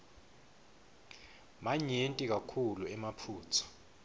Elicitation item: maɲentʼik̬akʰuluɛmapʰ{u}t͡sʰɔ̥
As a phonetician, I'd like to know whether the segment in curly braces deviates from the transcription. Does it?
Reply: yes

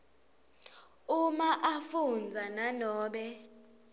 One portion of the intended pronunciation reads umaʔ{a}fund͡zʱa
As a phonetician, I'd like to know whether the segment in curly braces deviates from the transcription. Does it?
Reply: no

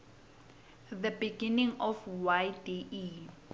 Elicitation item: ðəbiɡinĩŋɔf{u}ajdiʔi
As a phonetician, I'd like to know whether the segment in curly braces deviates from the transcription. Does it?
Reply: yes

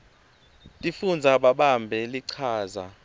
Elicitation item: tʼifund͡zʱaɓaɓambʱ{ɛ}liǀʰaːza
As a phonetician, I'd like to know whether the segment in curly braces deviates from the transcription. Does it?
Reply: no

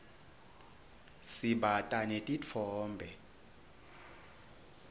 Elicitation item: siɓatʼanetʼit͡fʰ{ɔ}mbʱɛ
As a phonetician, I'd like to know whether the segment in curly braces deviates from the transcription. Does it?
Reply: yes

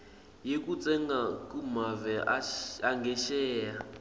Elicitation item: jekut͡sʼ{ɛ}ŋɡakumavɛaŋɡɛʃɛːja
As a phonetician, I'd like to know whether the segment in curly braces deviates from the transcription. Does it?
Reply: no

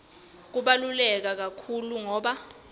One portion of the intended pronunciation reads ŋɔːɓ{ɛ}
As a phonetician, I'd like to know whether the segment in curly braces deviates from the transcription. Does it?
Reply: yes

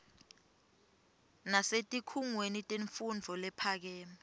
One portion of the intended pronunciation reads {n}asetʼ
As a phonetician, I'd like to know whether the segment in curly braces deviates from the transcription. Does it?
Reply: no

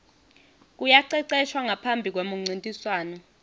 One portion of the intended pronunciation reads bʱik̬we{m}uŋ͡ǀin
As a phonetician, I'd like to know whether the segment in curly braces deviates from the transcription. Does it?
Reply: no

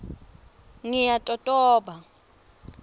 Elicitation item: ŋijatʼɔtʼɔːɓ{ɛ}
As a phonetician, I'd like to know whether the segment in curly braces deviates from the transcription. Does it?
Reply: yes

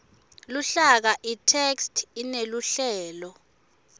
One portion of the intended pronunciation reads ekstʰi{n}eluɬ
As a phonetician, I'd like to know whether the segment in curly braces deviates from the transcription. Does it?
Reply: no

